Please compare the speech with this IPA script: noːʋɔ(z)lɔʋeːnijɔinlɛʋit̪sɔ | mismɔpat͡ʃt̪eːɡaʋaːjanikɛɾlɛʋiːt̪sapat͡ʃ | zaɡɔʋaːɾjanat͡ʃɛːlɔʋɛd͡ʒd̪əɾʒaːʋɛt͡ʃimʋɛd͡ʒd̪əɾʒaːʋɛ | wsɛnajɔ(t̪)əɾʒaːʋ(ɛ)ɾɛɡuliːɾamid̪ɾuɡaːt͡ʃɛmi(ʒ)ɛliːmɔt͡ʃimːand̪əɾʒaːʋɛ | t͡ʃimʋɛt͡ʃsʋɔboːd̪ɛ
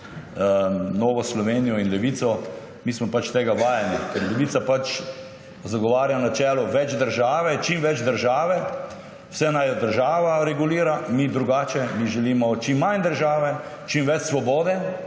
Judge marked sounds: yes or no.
no, no, no, yes

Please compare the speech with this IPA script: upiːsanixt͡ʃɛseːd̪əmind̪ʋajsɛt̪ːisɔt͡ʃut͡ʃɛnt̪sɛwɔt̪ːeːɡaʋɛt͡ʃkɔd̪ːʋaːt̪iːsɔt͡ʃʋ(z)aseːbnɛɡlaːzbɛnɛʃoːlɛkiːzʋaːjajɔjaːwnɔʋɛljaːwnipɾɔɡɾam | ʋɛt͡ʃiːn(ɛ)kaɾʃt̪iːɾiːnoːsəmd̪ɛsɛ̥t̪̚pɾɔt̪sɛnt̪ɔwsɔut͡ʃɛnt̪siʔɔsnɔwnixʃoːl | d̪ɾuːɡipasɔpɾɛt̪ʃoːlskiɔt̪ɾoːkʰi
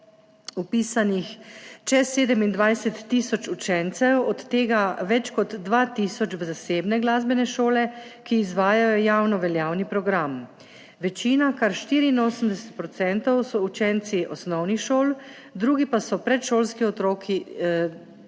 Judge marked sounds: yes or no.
yes, no

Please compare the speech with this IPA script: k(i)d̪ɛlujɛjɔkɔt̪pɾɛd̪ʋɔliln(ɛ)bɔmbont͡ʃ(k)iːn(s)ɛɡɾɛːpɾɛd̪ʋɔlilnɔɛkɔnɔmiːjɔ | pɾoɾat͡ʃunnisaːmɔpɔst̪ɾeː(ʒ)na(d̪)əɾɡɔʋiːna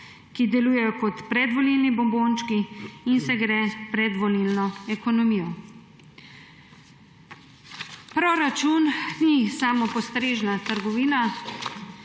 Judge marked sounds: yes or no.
yes, no, yes, yes, yes, no

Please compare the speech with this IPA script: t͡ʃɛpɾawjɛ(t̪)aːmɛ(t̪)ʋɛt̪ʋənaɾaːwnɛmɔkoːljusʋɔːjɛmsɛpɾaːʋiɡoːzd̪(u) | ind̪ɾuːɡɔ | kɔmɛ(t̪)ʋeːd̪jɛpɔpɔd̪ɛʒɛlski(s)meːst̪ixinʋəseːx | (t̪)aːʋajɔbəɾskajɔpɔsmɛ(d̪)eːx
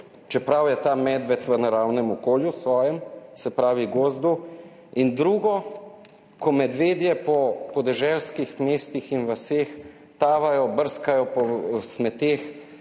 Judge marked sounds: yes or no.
yes, no, yes, no, no, yes, no

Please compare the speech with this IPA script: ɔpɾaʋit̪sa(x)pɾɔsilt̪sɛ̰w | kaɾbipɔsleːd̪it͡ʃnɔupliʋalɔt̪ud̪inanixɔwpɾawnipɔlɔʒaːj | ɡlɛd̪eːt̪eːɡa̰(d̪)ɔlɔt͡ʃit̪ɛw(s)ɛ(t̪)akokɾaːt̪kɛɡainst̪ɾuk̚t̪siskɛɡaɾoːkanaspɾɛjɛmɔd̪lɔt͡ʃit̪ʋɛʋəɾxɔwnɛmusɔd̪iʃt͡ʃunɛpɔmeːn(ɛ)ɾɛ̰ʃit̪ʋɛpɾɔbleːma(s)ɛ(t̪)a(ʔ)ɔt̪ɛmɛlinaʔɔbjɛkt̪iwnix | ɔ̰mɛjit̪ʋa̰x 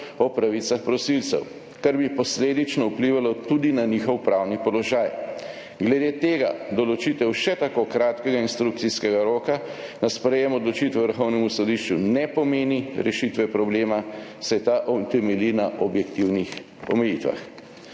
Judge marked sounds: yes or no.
yes, yes, no, yes, no, yes, yes, yes

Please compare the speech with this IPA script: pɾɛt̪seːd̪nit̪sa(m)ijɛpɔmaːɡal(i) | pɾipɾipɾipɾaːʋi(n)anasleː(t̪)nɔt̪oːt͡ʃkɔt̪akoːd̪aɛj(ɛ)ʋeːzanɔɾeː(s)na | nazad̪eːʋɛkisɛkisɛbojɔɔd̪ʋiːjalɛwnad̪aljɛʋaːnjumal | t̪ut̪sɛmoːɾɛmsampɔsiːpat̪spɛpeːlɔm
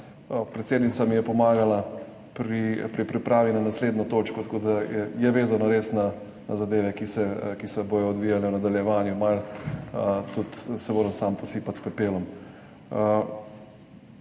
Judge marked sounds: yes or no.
yes, no, yes, no, yes, yes

